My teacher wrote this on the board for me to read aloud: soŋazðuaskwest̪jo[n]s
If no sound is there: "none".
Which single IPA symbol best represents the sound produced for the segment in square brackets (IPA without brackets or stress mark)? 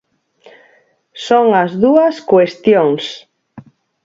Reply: ŋ